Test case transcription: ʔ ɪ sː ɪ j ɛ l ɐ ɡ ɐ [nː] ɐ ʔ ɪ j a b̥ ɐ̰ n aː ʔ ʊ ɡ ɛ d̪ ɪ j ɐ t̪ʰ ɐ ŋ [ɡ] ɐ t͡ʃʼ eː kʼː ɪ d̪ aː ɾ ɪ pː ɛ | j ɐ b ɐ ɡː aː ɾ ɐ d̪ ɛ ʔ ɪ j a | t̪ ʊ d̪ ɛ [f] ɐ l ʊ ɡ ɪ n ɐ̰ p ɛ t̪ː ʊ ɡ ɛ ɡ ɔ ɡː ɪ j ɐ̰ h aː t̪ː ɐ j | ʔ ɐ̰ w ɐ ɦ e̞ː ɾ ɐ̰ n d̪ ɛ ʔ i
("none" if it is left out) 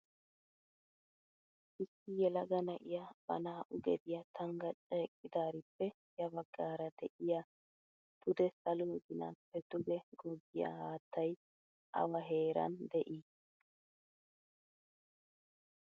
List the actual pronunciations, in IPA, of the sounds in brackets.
n, ɡ, s

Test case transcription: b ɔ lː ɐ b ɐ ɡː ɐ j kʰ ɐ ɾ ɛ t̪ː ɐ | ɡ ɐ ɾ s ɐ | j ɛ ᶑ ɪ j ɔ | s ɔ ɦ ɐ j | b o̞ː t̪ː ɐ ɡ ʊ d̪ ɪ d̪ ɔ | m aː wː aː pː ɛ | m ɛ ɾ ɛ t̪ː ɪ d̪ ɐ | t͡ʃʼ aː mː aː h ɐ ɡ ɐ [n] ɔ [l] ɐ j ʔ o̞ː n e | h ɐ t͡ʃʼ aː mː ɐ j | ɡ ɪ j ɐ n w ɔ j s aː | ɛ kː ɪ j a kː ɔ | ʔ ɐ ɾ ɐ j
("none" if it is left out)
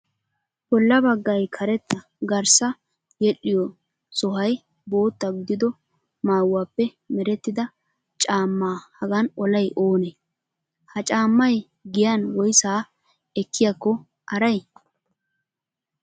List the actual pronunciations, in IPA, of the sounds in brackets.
n, l

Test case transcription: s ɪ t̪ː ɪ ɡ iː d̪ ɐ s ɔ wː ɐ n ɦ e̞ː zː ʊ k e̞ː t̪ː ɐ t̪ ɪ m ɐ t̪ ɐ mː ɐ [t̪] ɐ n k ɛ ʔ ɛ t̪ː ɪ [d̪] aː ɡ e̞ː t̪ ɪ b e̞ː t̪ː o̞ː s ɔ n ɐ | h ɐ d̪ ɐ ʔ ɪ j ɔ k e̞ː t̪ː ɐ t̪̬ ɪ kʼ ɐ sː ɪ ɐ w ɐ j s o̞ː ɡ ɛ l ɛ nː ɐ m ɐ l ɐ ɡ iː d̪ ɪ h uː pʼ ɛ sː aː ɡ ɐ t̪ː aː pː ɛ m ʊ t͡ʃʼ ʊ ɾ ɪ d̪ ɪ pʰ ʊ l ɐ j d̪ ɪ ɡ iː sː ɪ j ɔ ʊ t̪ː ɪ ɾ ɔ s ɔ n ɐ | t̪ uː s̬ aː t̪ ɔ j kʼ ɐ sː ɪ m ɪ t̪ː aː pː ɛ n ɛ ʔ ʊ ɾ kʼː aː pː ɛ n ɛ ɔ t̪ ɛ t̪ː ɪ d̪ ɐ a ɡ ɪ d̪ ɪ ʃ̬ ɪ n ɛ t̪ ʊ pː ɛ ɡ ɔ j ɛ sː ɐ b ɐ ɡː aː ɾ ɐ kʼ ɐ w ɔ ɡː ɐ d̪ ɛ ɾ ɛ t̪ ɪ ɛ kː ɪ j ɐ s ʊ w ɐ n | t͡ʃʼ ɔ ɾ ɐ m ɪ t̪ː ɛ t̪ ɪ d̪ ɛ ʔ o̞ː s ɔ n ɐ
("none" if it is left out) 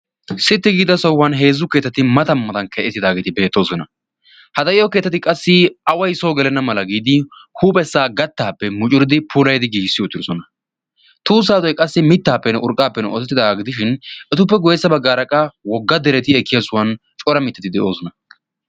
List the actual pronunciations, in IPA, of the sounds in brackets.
t̪, d̪

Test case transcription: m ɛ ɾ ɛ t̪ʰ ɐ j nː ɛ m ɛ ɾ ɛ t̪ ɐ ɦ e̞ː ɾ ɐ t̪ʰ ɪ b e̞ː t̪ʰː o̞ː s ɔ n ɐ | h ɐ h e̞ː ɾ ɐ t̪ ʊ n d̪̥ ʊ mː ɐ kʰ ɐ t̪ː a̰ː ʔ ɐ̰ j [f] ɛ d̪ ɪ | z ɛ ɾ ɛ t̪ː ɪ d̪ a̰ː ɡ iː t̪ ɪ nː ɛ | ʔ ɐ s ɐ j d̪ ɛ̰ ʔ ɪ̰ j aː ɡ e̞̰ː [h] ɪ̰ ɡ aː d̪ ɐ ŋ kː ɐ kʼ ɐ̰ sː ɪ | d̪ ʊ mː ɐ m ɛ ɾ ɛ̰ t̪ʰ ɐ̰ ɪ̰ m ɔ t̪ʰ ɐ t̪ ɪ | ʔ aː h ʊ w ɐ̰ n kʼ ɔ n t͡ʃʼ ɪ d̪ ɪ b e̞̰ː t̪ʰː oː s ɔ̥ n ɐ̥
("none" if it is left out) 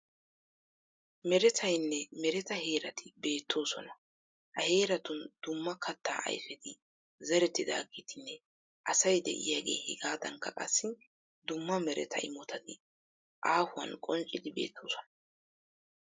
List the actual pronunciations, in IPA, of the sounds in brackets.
f, h

